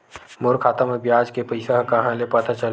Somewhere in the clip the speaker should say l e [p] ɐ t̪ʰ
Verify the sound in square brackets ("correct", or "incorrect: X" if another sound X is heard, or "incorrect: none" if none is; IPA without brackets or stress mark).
correct